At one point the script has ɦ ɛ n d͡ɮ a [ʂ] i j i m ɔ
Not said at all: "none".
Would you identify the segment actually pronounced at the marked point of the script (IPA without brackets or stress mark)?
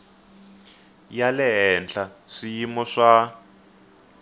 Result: ʂ